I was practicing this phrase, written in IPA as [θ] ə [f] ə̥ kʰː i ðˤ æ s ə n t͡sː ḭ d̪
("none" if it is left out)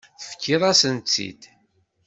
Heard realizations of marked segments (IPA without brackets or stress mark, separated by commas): θ, f